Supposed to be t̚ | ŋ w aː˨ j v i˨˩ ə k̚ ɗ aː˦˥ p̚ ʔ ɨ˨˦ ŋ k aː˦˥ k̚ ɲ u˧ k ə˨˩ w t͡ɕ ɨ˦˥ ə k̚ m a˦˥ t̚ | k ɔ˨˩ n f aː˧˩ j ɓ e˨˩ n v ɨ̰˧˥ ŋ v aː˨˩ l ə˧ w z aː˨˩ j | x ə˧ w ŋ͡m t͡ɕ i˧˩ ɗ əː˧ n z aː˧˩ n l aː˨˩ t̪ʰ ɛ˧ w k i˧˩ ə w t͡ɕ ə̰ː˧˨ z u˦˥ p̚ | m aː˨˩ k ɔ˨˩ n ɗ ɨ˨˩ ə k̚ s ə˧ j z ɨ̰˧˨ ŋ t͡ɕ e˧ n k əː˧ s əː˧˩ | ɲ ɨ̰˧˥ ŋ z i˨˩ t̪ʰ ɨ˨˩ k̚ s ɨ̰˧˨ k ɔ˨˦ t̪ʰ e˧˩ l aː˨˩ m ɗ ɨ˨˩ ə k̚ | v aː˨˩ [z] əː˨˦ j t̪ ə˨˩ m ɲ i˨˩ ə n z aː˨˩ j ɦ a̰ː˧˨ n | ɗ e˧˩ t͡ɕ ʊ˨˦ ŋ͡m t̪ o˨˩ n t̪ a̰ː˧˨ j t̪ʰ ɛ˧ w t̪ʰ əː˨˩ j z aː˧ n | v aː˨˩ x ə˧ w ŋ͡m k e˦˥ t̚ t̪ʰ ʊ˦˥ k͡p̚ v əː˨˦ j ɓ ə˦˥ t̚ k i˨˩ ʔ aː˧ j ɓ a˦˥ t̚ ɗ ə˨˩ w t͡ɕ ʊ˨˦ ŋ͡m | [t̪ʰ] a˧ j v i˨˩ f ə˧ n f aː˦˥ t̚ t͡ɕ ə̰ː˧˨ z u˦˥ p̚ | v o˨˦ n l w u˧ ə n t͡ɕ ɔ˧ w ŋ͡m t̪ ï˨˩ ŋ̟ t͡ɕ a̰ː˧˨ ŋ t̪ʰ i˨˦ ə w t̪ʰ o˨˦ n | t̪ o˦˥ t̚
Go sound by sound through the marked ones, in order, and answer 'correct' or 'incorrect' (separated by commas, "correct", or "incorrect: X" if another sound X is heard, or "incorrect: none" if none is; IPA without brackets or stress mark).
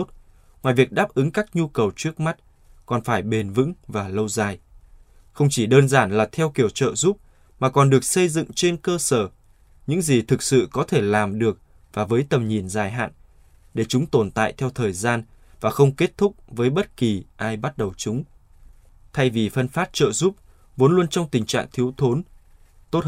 incorrect: v, correct